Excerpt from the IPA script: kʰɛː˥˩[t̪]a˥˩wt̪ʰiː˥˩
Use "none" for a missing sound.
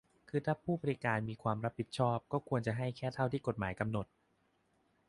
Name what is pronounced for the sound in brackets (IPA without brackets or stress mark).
t̪ʰ